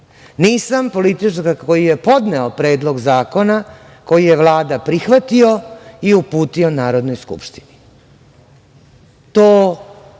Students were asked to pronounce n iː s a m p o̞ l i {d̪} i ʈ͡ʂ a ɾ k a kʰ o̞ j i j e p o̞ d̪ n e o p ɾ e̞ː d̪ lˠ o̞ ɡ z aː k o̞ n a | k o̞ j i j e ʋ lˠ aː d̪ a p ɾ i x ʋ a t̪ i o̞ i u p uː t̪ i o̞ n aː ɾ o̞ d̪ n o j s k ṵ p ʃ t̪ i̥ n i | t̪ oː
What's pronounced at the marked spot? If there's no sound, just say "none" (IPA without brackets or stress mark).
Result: t̪